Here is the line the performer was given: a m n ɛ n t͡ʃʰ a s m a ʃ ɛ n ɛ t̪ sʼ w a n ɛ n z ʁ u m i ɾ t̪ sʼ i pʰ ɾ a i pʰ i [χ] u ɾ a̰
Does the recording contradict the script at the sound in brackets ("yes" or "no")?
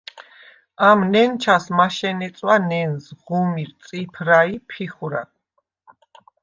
no